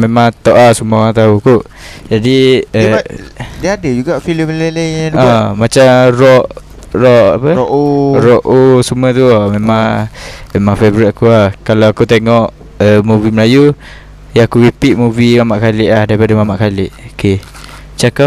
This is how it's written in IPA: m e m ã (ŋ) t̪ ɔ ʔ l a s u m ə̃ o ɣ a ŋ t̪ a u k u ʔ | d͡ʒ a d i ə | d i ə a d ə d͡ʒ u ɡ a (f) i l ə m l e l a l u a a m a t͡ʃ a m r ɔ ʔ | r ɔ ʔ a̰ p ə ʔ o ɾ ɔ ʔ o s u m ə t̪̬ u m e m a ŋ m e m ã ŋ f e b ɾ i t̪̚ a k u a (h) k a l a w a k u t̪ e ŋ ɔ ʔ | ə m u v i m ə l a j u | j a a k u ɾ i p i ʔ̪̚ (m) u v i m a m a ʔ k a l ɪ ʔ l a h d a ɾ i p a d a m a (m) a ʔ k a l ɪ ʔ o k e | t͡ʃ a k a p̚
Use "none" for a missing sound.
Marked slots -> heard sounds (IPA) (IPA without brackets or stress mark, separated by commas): ŋ, f, h, m, m